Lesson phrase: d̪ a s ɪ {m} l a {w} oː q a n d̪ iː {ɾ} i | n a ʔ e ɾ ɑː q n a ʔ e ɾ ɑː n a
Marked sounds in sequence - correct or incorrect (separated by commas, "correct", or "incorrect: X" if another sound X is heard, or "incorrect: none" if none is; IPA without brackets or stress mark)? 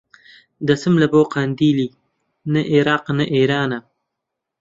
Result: correct, incorrect: b, incorrect: l